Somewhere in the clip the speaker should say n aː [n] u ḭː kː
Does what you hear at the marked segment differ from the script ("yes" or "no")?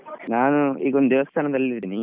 no